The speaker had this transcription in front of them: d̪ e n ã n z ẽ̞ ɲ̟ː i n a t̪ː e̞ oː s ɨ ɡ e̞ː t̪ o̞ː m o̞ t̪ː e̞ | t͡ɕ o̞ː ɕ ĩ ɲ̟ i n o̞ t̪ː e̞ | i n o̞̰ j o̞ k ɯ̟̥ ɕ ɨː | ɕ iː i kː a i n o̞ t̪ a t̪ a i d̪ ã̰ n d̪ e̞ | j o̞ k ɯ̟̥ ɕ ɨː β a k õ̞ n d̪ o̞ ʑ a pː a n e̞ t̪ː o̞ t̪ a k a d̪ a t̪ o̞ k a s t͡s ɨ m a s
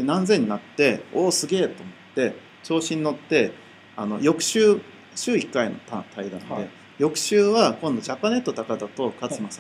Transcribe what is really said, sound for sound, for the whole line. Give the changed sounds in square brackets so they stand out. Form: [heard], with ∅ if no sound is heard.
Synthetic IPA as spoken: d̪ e n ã n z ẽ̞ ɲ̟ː i n a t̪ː e̞ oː s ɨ ɡ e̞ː t̪ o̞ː m o̞ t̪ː e̞ | t͡ɕ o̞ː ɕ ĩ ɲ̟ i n o̞ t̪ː e̞ | [a] n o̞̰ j o̞ k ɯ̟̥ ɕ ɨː | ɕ [ɨː] i kː a i n o̞ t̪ a t̪ a i d̪ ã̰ n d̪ e̞ | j o̞ k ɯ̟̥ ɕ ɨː β a k õ̞ n d̪ o̞ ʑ a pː a n e̞ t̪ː o̞ t̪ a k a d̪ a t̪ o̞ k a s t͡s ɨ m a s